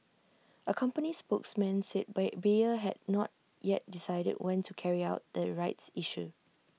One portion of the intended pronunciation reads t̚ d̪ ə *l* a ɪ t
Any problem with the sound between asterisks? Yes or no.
yes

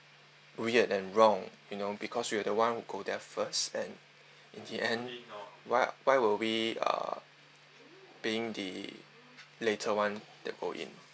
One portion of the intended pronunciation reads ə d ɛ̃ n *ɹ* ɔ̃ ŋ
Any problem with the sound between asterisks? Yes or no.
no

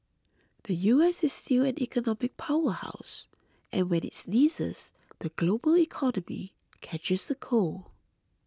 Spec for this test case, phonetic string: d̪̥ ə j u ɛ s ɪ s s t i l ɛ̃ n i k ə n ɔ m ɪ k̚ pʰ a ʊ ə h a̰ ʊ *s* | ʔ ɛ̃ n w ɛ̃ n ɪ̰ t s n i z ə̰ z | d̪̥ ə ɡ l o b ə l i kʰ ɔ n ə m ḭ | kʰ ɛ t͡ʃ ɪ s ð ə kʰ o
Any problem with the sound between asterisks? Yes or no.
no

